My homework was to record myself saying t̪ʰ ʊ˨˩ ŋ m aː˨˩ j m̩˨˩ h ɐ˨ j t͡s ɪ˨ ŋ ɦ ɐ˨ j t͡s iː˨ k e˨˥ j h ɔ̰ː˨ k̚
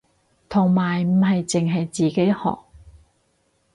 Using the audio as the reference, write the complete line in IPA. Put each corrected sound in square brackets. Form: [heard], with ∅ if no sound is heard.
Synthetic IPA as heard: t̪ʰ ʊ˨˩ ŋ m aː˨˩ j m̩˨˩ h ɐ˨ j t͡s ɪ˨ ŋ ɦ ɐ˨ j t͡s iː˨ k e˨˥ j h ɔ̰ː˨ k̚